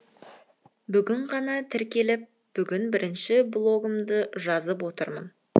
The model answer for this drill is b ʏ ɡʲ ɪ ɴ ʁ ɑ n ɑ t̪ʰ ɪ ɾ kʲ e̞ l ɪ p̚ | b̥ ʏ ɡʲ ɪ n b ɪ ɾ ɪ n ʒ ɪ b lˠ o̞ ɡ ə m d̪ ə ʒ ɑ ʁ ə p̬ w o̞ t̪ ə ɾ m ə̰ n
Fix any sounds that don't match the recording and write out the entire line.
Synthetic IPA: b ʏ ɡʲ ɪ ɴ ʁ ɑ n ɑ t̪ʰ ɪ ɾ kʲ e̞ l ɪ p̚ | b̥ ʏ ɡʲ ɪ n b ɪ ɾ ɪ n ʃ ɪ b lˠ o̞ ɡ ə m d̪ ə ʒ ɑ z ə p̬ w o̞ t̪ ə ɾ m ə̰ n